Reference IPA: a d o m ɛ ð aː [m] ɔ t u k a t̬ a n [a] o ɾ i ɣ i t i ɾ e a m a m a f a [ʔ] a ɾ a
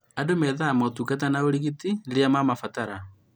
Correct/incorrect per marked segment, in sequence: correct, correct, incorrect: t

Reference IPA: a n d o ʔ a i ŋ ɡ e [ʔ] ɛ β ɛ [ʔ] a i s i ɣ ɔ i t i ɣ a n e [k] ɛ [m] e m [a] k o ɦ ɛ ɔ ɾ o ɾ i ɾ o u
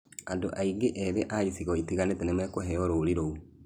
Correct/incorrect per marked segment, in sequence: correct, correct, incorrect: t, incorrect: n, incorrect: ɛ

